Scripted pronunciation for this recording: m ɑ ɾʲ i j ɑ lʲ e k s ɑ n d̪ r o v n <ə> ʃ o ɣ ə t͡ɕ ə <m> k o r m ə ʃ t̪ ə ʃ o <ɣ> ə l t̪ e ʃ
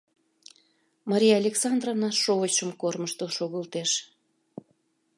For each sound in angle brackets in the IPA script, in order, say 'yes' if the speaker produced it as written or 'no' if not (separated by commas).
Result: no, yes, yes